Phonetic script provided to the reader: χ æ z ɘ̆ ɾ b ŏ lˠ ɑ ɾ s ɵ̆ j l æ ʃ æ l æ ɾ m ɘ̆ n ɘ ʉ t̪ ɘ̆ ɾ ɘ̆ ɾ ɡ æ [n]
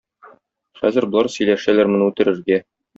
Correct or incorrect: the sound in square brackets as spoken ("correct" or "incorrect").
incorrect